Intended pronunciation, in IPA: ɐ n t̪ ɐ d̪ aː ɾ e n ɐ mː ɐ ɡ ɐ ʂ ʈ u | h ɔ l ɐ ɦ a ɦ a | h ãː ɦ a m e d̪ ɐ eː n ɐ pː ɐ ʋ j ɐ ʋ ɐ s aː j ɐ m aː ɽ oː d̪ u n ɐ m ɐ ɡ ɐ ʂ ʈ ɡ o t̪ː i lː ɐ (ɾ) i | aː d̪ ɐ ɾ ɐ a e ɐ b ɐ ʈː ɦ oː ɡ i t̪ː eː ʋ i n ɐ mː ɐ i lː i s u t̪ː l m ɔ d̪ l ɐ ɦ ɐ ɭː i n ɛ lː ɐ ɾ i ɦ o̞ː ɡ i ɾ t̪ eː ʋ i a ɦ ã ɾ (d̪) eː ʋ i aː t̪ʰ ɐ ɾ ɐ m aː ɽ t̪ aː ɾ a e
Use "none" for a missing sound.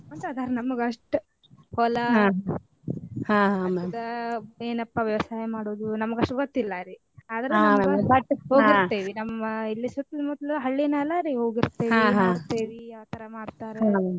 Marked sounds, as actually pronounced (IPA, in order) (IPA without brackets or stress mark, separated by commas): ɾ, t̪